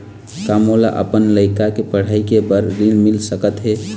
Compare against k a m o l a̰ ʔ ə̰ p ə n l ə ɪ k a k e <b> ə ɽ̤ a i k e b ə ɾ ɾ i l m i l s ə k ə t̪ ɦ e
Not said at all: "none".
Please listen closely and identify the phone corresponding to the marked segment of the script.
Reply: p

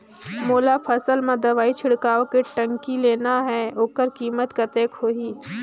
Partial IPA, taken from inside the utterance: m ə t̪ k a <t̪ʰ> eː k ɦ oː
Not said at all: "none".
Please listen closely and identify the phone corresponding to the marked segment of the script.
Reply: t̪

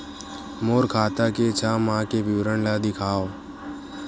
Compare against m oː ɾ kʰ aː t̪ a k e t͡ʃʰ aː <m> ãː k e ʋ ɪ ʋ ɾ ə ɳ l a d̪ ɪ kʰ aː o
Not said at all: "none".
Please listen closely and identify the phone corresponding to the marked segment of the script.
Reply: m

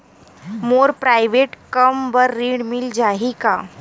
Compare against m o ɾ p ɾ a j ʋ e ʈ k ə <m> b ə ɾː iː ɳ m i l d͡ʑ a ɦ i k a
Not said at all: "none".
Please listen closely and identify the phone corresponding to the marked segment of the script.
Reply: m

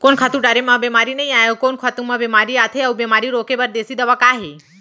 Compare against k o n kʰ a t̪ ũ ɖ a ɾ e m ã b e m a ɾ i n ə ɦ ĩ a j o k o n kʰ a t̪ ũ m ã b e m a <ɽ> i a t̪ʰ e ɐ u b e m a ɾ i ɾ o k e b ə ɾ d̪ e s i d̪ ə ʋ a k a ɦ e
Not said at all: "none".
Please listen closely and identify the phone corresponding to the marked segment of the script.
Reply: ɾ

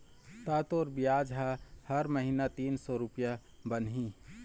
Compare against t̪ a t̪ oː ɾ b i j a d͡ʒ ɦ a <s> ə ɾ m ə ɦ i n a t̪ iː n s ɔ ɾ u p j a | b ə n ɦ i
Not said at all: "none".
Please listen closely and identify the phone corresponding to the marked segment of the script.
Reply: h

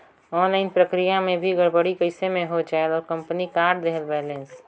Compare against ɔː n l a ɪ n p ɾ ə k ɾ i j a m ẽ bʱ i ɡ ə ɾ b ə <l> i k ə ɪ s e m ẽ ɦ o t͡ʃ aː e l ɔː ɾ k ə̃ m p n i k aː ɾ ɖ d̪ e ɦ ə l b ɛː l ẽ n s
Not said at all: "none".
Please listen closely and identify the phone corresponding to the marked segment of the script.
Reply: ɽ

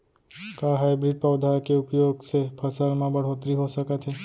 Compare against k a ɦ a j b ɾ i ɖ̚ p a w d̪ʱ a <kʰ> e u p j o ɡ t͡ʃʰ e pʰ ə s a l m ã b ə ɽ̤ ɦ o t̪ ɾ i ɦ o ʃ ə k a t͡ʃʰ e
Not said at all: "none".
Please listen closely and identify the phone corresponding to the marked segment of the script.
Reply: k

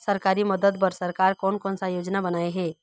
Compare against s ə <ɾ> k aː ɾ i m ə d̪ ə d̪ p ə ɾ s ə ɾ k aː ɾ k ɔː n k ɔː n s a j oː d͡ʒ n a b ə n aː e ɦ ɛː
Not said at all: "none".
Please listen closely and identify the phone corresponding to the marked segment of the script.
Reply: ɾ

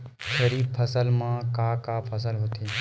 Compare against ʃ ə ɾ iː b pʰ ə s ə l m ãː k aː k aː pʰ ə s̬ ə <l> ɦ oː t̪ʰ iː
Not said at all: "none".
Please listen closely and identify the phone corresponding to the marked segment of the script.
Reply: l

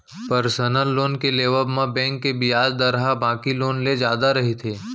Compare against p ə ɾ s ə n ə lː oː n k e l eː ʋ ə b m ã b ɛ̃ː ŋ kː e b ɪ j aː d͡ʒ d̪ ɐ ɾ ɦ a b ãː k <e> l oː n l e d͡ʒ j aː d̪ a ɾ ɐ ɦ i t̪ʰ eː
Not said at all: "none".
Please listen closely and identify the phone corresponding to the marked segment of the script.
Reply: i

